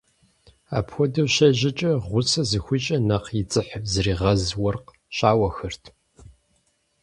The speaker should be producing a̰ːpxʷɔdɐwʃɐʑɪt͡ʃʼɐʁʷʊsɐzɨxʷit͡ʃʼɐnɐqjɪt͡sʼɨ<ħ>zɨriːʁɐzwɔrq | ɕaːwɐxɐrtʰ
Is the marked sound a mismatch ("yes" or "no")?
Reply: no